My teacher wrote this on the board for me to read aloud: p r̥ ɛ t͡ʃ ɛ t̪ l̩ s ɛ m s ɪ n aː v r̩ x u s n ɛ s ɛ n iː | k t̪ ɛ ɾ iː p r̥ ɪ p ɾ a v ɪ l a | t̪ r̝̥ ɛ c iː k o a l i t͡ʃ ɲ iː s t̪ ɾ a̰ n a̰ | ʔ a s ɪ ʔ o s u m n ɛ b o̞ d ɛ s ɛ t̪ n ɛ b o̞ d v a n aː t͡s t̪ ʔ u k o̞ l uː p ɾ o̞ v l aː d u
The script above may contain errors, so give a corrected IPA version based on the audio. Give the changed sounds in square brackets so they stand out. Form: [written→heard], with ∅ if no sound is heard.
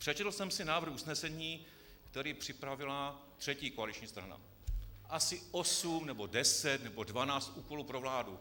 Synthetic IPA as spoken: p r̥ ɛ t͡ʃ ɛ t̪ l̩ s ɛ m s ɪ n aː v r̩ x u s n ɛ s ɛ [n→ɲ] iː | k t̪ ɛ ɾ iː p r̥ ɪ p ɾ a v ɪ l a | t̪ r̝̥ ɛ c iː k o a l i t͡ʃ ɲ iː s t̪ ɾ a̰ n a̰ | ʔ a s ɪ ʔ o s u m n ɛ b o̞ d ɛ s ɛ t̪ n ɛ b o̞ d v a n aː t͡s t̪ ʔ [u→uː] k o̞ l uː p ɾ o̞ v l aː d u